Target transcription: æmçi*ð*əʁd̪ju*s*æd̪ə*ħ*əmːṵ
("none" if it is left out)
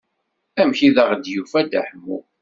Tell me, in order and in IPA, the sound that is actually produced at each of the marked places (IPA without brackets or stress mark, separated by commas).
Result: ð, f, ħ